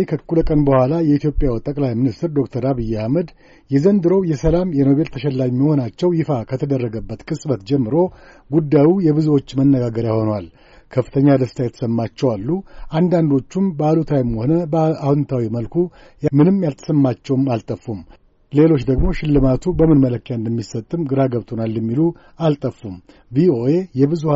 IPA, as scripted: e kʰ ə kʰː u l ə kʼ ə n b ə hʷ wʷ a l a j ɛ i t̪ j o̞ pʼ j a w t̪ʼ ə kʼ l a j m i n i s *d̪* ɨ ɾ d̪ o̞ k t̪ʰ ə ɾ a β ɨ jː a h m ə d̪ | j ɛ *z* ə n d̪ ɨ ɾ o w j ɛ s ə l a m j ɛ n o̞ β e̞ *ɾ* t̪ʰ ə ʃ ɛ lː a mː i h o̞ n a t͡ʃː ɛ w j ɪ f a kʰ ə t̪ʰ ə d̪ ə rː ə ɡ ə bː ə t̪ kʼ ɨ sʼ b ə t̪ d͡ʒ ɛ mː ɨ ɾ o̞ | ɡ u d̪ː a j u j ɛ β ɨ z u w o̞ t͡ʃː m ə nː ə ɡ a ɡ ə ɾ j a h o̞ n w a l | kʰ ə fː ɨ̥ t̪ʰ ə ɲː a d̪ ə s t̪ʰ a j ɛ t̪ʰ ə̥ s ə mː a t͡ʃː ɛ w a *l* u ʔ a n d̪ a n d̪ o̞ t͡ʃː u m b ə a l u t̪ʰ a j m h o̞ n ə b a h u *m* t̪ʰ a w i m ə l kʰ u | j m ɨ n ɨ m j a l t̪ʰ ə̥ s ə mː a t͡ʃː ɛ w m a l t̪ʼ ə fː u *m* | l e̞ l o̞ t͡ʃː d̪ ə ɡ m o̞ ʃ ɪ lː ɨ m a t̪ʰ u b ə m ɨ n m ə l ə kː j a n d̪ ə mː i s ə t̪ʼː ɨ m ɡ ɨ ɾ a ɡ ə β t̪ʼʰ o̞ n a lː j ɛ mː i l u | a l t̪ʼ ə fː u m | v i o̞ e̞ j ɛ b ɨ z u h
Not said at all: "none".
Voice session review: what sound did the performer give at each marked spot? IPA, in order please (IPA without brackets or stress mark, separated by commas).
t̪, z, l, lː, n, m